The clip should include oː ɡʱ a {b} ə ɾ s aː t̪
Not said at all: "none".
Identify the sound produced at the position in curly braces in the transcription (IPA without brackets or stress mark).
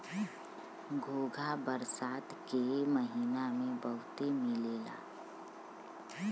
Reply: b